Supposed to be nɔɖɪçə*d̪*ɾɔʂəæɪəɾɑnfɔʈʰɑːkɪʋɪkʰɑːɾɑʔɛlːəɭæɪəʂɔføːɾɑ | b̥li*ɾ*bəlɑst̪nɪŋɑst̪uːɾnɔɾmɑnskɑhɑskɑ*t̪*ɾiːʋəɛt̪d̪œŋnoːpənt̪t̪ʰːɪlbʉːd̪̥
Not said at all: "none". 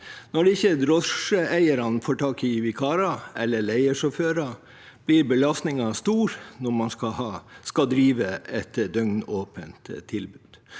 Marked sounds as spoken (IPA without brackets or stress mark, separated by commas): d̪, ɾ, d̪